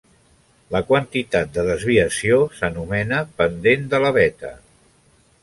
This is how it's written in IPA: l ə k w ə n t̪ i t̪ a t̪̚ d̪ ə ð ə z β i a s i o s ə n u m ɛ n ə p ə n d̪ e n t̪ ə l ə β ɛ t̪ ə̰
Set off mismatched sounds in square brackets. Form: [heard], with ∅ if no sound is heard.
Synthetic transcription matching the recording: l ə k w ə n t̪ i t̪ a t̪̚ d̪ ə ð ə z β i [ə] s i o s ə n u m ɛ n ə p ə n d̪ e n [d̪] ə l ə β ɛ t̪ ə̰